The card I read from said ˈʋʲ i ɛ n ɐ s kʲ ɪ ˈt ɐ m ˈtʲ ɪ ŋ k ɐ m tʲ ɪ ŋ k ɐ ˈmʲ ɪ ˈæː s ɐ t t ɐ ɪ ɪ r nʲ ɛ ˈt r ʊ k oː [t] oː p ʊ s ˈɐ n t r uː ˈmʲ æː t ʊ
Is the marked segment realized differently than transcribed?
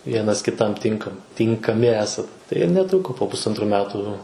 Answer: yes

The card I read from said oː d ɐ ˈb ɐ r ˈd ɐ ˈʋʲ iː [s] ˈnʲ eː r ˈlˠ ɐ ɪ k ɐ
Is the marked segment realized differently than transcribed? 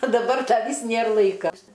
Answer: no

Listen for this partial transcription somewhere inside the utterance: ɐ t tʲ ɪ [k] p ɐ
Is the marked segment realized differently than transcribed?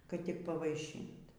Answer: no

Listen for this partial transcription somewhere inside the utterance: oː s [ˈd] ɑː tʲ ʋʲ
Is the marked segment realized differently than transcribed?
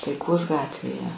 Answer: yes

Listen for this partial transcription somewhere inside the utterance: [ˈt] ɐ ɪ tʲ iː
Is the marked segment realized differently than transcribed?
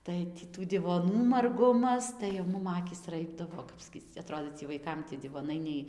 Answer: no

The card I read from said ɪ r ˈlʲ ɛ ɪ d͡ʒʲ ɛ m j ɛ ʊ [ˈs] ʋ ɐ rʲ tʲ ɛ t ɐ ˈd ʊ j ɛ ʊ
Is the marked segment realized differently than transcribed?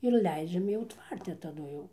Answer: yes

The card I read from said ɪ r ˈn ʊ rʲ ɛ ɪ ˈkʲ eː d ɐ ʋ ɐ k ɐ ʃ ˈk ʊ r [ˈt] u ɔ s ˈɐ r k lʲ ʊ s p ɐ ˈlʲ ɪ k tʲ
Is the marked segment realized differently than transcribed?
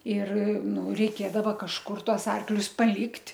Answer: no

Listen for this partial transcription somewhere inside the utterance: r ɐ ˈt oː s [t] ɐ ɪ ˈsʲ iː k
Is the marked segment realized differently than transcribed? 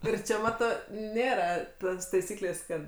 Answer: no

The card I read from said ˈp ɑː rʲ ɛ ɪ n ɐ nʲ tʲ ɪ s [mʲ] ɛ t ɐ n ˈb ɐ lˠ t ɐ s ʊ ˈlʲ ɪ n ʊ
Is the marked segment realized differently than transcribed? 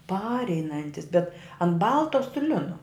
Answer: yes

